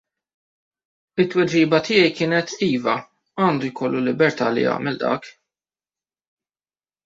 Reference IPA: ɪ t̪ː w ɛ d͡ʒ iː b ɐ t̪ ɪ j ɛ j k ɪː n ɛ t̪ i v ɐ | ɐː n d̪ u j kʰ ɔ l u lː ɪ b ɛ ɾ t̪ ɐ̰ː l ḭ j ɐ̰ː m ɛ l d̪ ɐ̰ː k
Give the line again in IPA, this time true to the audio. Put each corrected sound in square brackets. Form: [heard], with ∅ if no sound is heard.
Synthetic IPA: ɪ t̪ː w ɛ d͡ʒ iː b ɐ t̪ ɪ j ɛ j k ɪː n ɛ t̪ [iː] v ɐ | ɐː n d̪ u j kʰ ɔ [lː] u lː ɪ b ɛ ɾ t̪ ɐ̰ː l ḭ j ɐ̰ː m ɛ l d̪ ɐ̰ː k